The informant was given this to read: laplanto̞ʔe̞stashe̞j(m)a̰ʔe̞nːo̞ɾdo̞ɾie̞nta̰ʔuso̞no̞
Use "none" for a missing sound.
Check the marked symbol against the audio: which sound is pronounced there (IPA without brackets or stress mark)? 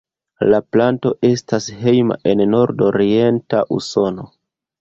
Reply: m